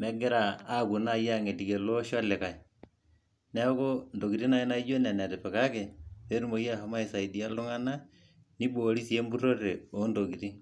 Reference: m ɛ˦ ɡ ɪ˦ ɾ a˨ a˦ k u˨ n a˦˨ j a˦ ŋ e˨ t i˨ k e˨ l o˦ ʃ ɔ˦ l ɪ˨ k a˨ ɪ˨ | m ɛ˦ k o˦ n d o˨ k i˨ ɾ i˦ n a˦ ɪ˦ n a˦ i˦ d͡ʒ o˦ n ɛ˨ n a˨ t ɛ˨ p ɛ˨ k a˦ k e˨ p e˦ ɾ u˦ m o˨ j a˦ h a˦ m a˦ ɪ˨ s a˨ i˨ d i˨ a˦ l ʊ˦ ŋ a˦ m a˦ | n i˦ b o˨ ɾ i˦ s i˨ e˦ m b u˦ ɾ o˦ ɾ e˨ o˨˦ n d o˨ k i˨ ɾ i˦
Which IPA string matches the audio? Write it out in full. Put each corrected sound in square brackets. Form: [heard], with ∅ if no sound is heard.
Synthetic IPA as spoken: m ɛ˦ ɡ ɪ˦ ɾ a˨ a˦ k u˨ n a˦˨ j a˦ ŋ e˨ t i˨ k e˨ l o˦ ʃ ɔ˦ l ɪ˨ k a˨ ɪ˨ | [n] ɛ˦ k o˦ n d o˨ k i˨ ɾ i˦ n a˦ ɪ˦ n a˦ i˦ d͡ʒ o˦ n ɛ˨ n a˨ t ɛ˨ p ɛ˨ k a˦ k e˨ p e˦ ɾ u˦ m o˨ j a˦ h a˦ m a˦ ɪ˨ s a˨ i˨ d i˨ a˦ l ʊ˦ ŋ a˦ [n] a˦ | n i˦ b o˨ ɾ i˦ s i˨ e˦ m b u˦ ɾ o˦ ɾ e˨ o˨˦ n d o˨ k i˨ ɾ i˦